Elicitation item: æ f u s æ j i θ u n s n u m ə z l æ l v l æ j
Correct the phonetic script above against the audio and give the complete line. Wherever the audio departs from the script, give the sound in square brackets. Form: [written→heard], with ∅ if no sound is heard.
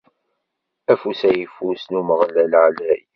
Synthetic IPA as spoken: æ f u s æ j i [θ→f] u [n→∅] s n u m ə [z→ʁ] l æ l [v→ʕ] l æ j